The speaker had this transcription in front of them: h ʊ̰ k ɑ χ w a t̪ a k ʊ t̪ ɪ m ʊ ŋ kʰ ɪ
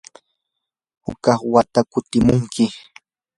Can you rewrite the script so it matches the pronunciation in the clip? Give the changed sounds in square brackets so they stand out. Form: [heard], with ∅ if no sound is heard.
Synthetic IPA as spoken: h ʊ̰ k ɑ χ w a t̪ a k ʊ t̪ ɪ m ʊ ŋ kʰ ɪ